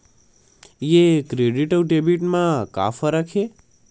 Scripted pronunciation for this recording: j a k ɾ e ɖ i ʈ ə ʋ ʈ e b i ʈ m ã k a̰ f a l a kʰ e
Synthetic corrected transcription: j e k ɾ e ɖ i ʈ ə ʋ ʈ e b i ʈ m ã k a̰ f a ɾ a kʰ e